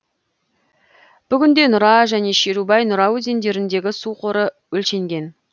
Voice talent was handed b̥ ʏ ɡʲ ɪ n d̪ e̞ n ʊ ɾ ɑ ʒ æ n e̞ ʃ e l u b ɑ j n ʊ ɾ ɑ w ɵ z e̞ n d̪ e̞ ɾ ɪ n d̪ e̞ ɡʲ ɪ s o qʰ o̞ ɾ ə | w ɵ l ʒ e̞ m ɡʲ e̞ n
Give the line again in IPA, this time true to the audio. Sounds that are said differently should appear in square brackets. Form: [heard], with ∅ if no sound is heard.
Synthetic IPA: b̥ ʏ ɡʲ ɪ n d̪ e̞ n ʊ ɾ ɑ ʒ æ n e̞ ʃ e [ɾ] u b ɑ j n ʊ ɾ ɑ w ɵ z e̞ n d̪ e̞ ɾ ɪ n d̪ e̞ ɡʲ ɪ s [u] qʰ o̞ ɾ ə | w ɵ l [ʃ] e̞ [ŋ] ɡʲ e̞ n